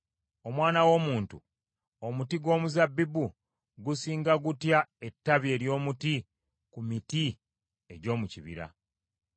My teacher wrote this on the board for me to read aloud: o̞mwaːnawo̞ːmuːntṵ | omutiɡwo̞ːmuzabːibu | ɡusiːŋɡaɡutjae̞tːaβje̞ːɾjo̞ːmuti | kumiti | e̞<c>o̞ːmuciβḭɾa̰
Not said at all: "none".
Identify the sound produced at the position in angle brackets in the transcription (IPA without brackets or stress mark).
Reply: ɟ